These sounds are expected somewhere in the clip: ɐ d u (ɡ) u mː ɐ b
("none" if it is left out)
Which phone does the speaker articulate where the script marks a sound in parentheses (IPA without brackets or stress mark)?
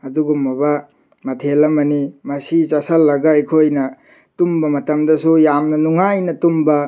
ɡ